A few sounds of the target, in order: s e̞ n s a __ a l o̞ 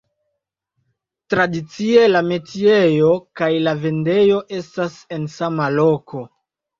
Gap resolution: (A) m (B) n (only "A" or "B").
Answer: A